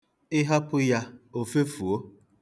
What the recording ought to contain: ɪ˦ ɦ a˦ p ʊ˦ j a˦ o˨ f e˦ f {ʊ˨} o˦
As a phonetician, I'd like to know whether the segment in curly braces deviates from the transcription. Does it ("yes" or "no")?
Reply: yes